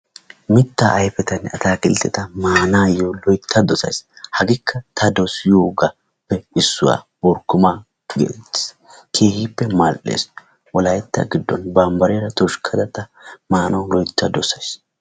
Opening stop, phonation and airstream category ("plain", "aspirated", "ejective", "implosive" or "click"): plain